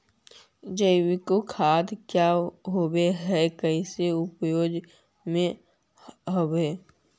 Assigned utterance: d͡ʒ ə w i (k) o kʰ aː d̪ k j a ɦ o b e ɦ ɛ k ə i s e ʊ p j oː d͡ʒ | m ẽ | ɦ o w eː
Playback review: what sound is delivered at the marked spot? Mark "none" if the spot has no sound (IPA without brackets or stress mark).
k